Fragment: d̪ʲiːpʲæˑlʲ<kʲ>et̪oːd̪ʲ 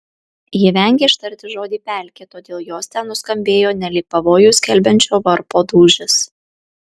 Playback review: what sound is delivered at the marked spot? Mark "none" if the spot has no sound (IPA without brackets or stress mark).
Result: kʲ